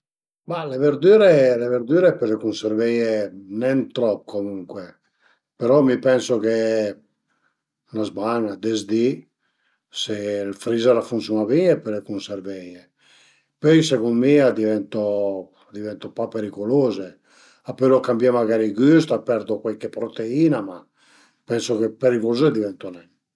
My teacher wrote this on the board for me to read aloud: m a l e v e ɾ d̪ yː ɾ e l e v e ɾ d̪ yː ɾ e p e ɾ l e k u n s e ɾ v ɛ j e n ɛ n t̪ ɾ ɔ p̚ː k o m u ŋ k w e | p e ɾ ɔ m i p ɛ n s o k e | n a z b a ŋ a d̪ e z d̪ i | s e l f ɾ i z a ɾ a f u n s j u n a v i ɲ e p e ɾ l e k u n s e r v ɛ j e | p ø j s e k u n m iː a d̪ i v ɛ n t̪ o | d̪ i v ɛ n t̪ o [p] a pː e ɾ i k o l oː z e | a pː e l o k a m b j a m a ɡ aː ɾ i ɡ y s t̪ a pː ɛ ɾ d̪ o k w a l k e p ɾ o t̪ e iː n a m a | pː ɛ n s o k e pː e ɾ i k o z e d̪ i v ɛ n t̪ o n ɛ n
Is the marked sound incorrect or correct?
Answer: correct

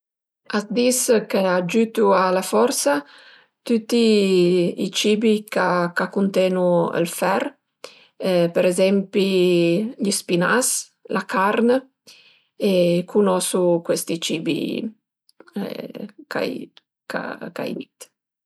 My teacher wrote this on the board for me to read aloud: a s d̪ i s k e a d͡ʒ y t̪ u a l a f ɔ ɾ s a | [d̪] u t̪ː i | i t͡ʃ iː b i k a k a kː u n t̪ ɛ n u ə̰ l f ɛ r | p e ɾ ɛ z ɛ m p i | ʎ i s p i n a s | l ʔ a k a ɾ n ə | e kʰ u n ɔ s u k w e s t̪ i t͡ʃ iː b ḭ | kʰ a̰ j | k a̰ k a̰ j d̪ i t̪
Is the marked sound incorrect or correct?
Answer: incorrect: t̪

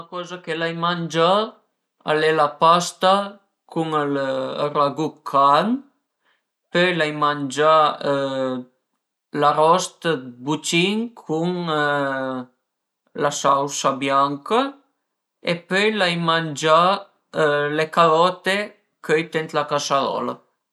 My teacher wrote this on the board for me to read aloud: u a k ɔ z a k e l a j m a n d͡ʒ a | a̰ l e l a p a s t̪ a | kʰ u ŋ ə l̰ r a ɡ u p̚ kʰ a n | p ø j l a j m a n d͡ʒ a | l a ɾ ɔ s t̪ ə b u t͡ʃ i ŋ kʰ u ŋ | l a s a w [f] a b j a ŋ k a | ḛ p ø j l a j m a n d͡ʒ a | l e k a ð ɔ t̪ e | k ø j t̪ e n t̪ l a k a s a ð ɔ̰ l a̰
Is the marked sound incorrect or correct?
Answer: incorrect: s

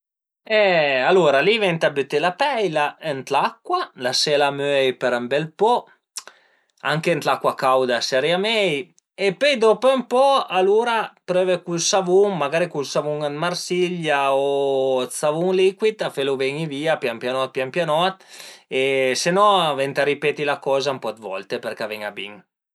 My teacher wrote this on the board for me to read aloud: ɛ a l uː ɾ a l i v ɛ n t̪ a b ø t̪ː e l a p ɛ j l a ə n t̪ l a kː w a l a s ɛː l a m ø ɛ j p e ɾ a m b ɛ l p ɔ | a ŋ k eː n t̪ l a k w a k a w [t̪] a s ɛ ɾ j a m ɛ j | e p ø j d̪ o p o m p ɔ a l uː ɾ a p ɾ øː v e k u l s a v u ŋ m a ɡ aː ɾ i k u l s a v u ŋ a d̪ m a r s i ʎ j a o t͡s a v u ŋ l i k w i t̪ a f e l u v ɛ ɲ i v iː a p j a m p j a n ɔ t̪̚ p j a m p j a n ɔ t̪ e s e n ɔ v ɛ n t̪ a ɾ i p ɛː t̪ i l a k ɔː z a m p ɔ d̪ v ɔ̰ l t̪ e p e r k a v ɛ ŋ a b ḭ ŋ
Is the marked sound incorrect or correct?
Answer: incorrect: d̪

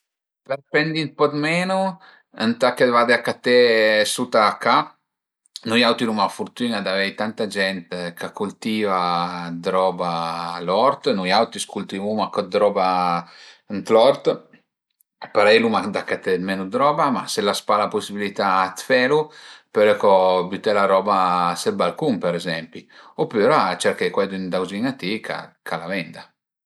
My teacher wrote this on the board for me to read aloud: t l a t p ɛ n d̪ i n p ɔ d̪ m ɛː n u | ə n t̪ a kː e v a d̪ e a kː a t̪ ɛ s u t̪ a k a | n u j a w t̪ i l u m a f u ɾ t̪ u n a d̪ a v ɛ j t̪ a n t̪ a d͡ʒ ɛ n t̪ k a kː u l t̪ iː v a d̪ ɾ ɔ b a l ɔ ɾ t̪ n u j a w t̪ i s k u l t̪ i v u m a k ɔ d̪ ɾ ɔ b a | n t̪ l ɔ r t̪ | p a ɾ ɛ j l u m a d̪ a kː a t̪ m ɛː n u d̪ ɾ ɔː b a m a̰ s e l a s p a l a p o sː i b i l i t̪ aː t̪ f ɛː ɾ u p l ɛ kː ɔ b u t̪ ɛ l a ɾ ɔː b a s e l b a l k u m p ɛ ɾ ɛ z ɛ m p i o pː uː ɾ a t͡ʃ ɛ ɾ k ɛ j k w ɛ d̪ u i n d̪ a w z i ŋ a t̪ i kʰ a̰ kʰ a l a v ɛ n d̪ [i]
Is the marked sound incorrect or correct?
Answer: incorrect: a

